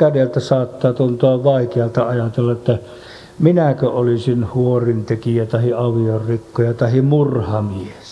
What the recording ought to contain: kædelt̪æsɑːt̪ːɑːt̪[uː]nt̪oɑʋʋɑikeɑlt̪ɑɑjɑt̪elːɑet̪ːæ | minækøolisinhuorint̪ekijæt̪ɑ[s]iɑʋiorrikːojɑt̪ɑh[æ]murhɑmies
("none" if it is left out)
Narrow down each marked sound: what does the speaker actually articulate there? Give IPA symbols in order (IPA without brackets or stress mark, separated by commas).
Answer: u, h, i